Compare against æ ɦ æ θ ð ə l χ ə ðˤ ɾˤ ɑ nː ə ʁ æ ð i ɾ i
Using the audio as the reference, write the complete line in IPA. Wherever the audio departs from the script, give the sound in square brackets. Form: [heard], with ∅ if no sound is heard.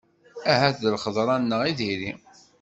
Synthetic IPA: æ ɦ æ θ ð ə l χ ə ðˤ ɾˤ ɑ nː ə ʁ [i] ð i ɾ i

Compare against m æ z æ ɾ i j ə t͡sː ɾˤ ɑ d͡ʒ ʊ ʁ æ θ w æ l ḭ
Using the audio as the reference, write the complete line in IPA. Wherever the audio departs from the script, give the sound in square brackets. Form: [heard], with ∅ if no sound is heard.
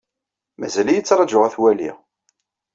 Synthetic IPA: m æ z æ [l] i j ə t͡sː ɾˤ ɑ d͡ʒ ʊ ʁ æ θ w æ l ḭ

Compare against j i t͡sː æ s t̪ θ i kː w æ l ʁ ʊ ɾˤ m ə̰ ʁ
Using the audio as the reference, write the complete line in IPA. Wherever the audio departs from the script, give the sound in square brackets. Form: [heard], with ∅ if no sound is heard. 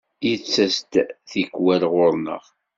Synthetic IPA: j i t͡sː æ s t̪ θ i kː w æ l ʁ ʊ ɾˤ [n] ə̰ ʁ

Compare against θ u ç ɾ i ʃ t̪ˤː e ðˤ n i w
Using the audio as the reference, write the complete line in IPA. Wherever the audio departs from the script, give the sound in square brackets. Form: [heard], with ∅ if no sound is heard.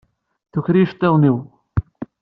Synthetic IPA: θ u ç ɾ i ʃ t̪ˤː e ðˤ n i w

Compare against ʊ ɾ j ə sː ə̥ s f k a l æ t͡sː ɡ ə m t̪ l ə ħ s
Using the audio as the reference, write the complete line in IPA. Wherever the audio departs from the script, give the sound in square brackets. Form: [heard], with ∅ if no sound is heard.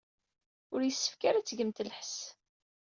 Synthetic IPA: ʊ ɾ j ə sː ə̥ [∅] f k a [ɾ] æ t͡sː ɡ ə m t̪ l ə ħ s

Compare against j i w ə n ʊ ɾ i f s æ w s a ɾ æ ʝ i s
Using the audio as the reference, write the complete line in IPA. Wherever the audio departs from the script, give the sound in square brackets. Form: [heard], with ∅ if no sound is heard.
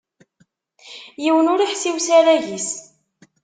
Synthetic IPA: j i w ə n ʊ ɾ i [ħ] s [i] w s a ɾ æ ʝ i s

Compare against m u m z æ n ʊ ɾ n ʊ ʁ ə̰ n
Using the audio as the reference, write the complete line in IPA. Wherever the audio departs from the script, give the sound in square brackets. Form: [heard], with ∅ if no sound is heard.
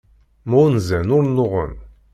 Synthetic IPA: m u [n] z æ n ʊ ɾ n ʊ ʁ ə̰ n

